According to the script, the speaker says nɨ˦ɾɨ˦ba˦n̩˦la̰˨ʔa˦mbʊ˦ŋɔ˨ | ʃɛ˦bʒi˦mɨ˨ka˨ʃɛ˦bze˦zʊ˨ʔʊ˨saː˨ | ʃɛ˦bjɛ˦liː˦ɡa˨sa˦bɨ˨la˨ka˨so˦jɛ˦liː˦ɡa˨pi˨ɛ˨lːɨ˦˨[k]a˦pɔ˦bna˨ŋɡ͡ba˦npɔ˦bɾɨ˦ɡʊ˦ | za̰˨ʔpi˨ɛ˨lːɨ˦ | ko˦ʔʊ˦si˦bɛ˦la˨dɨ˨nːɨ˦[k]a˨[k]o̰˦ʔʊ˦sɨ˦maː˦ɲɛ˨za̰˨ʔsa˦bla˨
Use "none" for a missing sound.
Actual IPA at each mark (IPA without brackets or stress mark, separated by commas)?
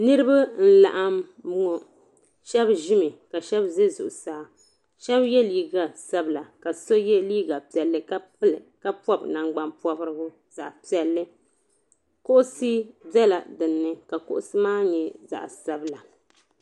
k, k, k